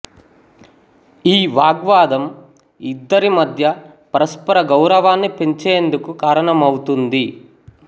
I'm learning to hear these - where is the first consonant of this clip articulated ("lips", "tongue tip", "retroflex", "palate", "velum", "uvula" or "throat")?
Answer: lips